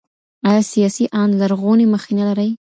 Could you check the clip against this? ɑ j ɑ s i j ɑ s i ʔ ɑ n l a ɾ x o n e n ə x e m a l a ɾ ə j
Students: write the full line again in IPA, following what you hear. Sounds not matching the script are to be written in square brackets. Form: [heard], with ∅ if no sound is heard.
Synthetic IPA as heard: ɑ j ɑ s i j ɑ s i ʔ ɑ n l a ɾ [ɣ] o n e [m] ə x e [n] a l a ɾ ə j

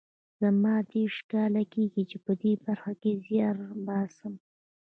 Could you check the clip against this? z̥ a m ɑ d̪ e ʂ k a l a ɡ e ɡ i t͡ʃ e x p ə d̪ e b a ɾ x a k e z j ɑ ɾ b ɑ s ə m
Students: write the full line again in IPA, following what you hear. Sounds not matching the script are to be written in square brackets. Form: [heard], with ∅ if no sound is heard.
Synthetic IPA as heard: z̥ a m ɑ d̪ e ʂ k [ɑ] l a [k] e ɡ i t͡ʃ e [∅] p ə d̪ e b a ɾ x a k e z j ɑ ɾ b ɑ s ə m

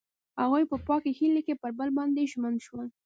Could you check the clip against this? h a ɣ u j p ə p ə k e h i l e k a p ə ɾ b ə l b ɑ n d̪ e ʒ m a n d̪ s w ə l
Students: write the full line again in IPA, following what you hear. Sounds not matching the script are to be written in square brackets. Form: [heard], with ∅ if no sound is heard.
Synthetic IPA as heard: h a ɣ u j p ə p [ɑ] k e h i l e k [e] p ə ɾ b ə l b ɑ n d̪ e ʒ m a n d̪ [ʃ] w ə l

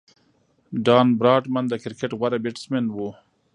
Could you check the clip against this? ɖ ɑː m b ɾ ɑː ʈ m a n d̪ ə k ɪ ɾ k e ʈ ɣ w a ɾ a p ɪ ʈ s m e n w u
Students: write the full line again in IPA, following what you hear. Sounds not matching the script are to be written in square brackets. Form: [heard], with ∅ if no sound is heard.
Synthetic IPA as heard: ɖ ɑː [n] b ɾ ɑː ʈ m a n d̪ ə k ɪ ɾ k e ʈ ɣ w a ɾ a [b] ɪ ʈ s m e n w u

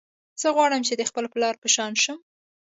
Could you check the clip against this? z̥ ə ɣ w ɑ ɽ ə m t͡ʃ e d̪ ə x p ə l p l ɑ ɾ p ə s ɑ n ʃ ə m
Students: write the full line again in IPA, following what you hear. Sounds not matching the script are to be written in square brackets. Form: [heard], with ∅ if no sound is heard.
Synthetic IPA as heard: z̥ ə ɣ w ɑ ɽ ə m t͡ʃ e d̪ ə x p ə l p l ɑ ɾ p ə [ʃ] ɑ n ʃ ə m

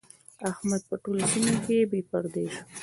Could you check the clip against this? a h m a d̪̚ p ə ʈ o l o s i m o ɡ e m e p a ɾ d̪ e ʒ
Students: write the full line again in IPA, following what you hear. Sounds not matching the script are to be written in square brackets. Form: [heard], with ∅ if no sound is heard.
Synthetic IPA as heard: a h m a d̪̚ p ə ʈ o l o s i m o [k] e [b] e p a ɾ d̪ e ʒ

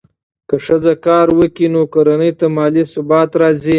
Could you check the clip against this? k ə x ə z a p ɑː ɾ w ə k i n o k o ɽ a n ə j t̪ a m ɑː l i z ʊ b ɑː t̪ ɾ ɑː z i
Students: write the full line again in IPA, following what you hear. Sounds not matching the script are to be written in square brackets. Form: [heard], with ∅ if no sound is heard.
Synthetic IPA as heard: k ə [ʂ] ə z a [k] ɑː ɾ w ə k i n o k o [ɾ] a n ə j t̪ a m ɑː l i [s] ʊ b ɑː t̪ ɾ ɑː z i

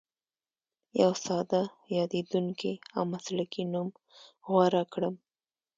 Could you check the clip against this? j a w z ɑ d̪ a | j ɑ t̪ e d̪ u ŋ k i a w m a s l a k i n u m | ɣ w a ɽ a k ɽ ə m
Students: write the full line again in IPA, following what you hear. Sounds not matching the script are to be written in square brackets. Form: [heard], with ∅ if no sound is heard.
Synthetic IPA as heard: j a w [s] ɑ d̪ a | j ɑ [d̪] e d̪ u ŋ k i a w m a s l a k i n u m | ɣ w a [ɾ] a k ɽ ə m

